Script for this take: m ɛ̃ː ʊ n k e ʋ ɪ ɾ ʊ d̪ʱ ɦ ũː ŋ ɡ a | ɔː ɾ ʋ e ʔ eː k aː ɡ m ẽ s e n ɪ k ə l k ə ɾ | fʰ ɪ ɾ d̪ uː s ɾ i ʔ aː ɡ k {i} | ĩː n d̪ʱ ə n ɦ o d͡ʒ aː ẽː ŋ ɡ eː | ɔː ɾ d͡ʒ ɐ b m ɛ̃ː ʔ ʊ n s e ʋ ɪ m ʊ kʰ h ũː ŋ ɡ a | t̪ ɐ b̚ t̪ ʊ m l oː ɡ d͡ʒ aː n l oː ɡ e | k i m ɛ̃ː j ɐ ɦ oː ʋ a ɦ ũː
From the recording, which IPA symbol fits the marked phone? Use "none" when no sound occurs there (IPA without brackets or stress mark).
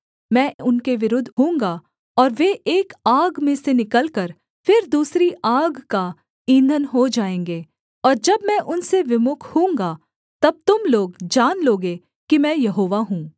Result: a